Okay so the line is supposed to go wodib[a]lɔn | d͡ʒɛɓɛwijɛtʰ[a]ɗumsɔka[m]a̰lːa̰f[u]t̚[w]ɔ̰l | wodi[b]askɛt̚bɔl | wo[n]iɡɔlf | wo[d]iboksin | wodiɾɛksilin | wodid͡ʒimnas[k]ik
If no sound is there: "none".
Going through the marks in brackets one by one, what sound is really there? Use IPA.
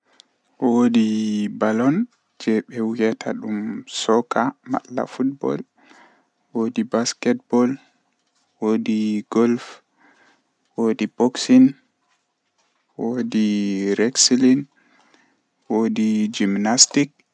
a, a, m, u, b, b, d, d, t

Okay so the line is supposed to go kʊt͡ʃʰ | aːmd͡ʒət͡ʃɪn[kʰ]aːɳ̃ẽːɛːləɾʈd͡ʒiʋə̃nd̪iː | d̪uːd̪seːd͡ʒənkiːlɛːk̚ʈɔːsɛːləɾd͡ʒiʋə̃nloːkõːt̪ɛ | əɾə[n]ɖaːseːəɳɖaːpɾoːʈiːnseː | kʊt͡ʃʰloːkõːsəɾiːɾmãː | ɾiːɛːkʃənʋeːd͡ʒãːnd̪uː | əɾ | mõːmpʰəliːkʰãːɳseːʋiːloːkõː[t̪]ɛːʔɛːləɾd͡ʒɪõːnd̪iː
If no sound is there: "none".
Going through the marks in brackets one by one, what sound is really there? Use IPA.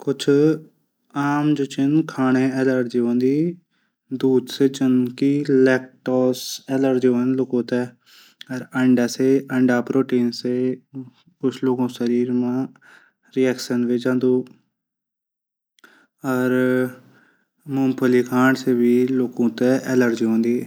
kʰ, ɳ, t̪

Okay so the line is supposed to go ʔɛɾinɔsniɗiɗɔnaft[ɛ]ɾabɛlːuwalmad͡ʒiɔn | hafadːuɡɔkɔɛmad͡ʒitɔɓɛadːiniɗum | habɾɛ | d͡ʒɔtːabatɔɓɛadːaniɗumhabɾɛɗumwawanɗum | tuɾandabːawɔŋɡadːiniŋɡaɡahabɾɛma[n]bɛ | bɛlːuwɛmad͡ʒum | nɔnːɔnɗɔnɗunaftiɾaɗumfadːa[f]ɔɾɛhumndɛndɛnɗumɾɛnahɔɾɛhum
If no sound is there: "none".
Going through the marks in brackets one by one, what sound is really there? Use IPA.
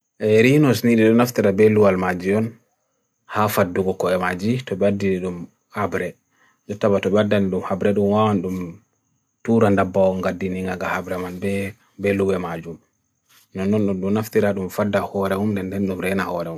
i, n, h

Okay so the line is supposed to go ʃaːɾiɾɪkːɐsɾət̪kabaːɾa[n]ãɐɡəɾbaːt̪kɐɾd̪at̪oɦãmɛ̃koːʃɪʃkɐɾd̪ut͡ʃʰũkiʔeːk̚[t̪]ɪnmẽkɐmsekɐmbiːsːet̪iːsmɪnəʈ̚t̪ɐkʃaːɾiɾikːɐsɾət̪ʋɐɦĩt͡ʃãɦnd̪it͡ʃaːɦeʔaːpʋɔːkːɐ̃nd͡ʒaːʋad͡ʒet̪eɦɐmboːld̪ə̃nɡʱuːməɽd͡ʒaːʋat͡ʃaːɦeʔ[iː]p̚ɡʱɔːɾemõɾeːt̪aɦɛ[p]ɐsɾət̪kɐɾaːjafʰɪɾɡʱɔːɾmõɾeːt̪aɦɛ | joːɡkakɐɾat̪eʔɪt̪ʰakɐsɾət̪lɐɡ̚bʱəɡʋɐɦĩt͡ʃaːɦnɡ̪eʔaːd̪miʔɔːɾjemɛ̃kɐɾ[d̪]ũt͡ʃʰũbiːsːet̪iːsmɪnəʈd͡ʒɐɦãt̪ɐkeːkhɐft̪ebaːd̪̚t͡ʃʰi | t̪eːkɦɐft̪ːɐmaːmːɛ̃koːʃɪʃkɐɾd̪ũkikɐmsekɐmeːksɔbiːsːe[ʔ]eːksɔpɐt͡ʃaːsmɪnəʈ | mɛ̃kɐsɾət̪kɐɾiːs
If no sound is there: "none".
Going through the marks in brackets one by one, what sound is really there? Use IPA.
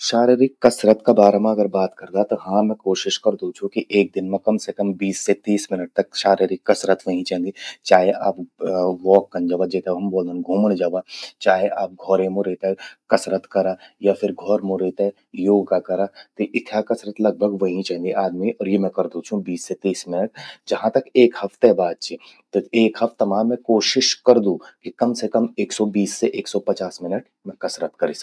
m, d̪, aː, k, d̪, ʔ

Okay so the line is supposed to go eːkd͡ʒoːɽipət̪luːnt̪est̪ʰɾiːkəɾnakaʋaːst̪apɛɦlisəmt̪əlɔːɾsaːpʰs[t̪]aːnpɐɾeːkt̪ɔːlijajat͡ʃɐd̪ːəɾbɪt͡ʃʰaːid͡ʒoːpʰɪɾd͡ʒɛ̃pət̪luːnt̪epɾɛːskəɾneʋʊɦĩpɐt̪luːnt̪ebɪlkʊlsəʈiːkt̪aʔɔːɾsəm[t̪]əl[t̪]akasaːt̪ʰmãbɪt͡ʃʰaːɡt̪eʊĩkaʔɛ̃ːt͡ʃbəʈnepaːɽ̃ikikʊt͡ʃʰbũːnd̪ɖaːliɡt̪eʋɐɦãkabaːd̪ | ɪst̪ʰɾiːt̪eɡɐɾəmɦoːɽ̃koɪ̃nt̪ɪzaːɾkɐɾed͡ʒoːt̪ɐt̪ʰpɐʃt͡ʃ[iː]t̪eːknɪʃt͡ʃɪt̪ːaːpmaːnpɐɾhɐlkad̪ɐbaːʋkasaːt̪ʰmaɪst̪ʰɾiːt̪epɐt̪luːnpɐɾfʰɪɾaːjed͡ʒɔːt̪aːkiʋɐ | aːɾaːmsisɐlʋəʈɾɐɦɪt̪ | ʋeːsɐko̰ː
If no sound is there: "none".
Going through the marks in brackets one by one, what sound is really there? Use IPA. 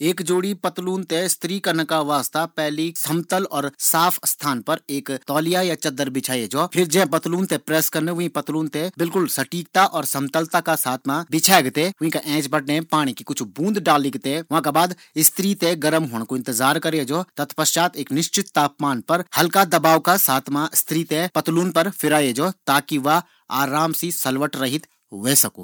t̪ʰ, t̪, t̪, aː

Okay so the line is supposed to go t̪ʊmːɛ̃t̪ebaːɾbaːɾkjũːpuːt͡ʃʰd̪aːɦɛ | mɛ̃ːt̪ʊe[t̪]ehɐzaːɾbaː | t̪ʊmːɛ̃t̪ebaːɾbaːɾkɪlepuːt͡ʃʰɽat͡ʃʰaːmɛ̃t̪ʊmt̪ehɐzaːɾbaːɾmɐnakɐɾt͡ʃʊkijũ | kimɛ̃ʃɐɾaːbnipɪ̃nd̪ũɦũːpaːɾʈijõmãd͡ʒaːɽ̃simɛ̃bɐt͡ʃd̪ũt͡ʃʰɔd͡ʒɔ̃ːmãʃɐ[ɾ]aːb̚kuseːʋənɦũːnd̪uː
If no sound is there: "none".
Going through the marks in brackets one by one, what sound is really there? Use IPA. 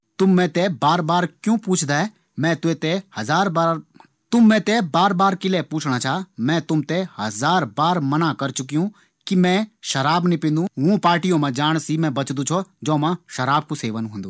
t̪, ɾ

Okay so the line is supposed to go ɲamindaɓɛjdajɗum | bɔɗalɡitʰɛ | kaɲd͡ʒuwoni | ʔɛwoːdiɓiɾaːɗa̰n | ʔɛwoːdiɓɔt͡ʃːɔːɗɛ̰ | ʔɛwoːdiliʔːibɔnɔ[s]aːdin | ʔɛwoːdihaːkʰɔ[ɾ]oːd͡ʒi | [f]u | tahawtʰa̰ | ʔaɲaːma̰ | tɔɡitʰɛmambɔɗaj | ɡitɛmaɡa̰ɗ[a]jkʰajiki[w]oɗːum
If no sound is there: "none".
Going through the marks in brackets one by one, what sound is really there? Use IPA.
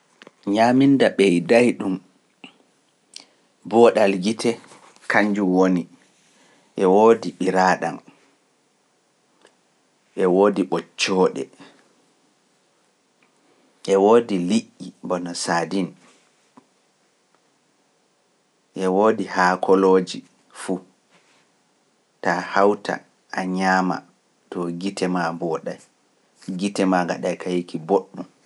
s, l, f, a, b

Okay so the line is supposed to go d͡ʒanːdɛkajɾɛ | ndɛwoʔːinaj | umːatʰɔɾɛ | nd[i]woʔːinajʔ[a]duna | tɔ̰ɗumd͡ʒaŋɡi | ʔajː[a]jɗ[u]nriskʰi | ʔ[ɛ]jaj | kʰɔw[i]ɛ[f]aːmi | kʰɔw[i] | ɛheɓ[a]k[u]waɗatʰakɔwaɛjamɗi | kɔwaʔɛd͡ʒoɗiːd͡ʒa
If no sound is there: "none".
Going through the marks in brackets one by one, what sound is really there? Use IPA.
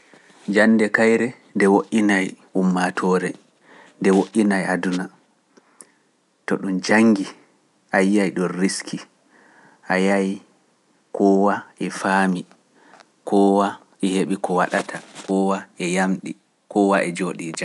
ɛ, a, a, ɔ, a, a, f, a, i, ɔ

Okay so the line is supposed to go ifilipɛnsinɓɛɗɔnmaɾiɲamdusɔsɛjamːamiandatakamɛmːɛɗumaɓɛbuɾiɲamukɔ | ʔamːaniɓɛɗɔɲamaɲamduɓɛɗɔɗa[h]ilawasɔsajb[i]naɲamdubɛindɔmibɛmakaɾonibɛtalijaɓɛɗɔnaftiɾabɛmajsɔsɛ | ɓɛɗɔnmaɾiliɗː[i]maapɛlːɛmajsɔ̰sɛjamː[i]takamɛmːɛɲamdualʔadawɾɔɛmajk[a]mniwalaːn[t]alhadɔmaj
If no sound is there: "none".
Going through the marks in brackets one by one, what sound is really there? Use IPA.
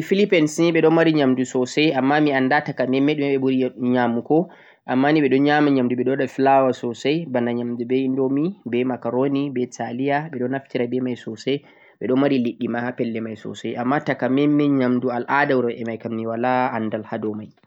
f, a, i, a, a, d

